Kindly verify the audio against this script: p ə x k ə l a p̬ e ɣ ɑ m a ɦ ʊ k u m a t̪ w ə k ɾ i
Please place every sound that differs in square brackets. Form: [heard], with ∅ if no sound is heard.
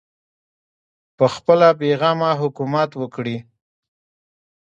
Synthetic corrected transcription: p ə x [p] ə l a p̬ e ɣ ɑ m a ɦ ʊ k u m a t̪ w ə k [ɽ] i